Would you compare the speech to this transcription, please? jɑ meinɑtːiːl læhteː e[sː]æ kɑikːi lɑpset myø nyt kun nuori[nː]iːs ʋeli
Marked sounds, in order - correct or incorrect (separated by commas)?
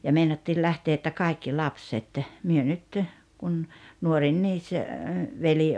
incorrect, correct